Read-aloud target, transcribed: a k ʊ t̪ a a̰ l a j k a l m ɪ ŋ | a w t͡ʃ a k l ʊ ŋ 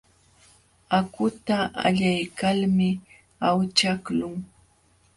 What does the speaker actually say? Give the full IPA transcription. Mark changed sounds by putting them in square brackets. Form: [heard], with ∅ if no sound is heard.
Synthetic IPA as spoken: a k ʊ t̪ a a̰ [ʎ] a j k a l m ɪ [∅] | a w t͡ʃ a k l ʊ ŋ